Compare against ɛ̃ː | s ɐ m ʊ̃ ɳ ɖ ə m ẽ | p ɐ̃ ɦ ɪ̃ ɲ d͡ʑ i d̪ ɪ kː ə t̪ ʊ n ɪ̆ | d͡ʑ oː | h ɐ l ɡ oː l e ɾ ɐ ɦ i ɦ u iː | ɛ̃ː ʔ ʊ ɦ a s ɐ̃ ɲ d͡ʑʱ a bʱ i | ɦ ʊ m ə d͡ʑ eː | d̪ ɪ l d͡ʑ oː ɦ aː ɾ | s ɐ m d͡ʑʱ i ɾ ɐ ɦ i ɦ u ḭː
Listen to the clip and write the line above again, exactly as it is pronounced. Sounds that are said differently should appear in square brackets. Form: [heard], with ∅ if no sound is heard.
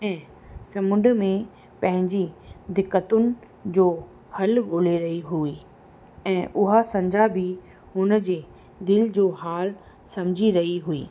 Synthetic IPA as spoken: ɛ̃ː | s ɐ m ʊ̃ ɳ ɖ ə m ẽ | p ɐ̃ ɦ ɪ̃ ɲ d͡ʑ i d̪ ɪ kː ə t̪ ʊ n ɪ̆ | d͡ʑ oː | h ɐ l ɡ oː l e ɾ ɐ ɦ i ɦ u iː | ɛ̃ː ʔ ʊ ɦ a s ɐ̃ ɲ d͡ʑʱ a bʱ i | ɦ ʊ [n] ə d͡ʑ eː | d̪ ɪ l d͡ʑ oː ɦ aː [l] | s ɐ m d͡ʑʱ i ɾ ɐ ɦ i ɦ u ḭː